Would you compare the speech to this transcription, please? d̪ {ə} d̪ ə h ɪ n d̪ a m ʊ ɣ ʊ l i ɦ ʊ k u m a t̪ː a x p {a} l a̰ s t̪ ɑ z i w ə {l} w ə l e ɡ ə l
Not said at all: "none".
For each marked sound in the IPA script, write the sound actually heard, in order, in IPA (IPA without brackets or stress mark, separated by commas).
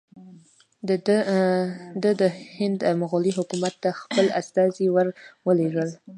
ə, ə, ɾ